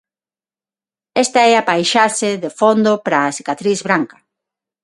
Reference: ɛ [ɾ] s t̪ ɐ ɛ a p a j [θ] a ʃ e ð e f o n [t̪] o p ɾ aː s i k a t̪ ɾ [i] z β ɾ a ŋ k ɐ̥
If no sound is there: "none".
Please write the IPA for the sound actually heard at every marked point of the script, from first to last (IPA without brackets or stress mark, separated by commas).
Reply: none, ʃ, d̪, i